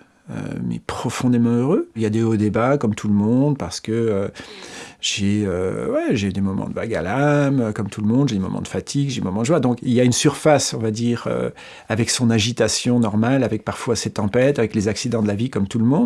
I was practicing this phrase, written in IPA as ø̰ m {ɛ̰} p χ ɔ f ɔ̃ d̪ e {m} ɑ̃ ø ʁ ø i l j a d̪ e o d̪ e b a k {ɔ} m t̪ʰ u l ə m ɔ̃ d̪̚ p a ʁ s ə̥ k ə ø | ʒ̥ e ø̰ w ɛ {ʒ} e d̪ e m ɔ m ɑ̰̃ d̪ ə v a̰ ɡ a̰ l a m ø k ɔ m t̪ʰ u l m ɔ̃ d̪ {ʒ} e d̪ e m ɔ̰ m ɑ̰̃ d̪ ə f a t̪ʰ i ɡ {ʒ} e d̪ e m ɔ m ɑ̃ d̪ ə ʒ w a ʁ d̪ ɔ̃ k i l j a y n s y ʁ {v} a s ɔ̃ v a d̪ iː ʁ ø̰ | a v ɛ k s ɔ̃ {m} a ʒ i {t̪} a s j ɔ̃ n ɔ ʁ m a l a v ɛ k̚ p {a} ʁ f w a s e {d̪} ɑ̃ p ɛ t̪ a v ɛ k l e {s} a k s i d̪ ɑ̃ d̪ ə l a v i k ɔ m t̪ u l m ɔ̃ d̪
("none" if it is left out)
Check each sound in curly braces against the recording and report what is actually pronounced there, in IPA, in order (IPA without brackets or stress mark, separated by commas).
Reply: ɛ̰, m, ɔ, ʒ, ʒ, ʒ, f, n, t̪, a, t̪, z